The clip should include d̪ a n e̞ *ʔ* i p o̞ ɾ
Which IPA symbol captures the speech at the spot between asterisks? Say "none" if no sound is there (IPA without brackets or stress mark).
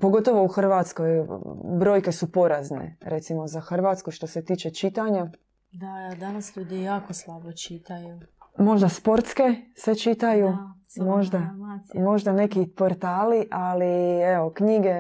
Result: k